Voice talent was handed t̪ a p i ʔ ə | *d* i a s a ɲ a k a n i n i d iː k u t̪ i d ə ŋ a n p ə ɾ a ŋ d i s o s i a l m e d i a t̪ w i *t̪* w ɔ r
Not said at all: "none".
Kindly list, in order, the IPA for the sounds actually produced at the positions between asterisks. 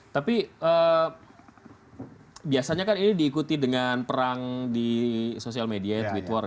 b, t̪

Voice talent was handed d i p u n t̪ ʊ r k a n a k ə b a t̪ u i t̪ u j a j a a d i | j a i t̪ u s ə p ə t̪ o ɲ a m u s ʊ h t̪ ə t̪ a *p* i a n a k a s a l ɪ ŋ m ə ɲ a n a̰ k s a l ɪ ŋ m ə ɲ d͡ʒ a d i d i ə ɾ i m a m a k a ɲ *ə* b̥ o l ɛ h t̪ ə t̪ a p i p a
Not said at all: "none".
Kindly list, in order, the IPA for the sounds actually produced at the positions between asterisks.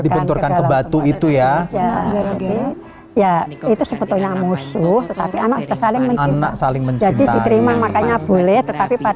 p, a

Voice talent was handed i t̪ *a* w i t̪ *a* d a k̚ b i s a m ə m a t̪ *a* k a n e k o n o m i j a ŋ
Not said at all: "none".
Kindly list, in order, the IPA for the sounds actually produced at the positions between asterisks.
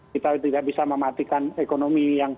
a, i, i

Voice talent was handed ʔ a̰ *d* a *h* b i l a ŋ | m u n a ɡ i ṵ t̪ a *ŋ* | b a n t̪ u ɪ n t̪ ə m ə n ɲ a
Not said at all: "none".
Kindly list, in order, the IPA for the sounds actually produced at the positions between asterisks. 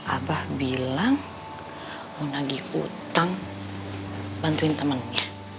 b, h, ŋ

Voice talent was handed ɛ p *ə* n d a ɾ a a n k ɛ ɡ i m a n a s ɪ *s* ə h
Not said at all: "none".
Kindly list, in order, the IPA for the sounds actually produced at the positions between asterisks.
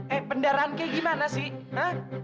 ə, h

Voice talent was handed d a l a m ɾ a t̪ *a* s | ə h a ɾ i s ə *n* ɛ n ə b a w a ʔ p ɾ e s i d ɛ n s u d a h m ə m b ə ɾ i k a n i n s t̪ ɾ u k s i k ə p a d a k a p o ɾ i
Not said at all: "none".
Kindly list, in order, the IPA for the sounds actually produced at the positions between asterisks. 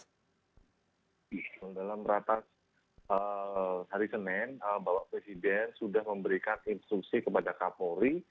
a, n

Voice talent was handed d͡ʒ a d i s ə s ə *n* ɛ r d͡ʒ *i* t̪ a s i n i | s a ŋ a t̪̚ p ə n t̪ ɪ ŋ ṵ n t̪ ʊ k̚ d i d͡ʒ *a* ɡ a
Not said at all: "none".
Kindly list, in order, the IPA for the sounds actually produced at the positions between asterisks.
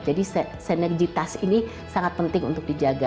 n, i, a

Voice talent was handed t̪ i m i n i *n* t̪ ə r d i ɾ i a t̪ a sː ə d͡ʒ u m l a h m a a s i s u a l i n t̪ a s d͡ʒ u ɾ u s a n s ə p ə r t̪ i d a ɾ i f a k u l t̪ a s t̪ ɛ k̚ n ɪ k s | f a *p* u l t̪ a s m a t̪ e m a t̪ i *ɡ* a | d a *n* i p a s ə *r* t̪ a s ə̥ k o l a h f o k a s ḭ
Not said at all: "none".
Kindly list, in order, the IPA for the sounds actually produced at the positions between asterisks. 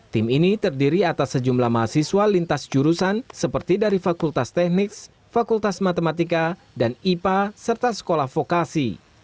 none, k, k, n, r

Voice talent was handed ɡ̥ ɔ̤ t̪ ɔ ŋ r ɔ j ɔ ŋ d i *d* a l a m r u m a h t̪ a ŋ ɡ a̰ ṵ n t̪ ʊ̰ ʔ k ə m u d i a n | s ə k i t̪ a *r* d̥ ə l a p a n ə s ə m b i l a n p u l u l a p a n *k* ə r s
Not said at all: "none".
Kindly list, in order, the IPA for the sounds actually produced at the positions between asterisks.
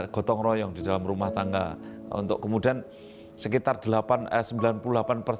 d, r, p

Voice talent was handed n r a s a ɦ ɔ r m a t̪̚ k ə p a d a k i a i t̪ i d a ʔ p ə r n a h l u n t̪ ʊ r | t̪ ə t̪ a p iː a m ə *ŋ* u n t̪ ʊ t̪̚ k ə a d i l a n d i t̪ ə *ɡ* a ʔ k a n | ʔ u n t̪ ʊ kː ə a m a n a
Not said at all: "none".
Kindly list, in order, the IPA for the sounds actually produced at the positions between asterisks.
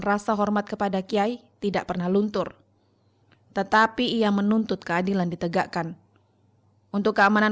n, ɡ

